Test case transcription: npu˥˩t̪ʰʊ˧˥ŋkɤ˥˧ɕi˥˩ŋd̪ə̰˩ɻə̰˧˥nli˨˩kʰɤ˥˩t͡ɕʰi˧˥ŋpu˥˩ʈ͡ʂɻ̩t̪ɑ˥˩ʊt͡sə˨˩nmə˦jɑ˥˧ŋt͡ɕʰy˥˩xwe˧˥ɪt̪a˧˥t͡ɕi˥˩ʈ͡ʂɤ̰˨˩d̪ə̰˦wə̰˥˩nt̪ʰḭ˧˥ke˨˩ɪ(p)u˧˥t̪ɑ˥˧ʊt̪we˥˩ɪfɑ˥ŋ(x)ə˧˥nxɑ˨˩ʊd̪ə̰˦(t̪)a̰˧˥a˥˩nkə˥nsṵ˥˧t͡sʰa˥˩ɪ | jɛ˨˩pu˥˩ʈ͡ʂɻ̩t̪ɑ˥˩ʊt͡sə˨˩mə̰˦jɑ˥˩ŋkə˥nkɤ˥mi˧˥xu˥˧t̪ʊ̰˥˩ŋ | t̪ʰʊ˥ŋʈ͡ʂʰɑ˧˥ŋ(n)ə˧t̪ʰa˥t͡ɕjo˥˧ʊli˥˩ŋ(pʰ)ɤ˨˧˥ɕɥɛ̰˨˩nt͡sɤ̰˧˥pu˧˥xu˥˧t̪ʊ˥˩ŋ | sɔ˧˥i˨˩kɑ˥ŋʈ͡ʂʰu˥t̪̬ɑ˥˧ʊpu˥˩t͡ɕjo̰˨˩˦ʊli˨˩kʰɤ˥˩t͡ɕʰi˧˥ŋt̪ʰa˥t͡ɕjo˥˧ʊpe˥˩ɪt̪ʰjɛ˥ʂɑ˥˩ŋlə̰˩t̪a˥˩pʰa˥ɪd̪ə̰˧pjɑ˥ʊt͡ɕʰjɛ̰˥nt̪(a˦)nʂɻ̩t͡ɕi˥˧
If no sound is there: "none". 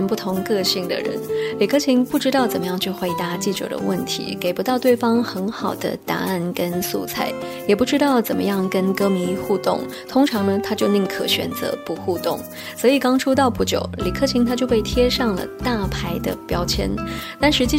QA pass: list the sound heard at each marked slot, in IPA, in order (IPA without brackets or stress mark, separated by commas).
p, x, t̪, n, kʰ, a˥˩